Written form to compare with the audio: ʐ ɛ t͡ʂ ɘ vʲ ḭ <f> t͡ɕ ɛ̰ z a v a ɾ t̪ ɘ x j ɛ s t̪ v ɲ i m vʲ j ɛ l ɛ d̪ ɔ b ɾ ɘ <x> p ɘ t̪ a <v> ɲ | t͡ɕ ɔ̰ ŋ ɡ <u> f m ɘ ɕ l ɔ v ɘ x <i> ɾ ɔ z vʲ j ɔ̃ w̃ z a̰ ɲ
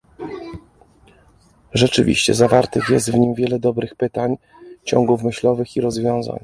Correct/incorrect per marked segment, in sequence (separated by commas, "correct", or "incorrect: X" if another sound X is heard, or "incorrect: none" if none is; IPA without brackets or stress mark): incorrect: ɕ, correct, incorrect: none, correct, correct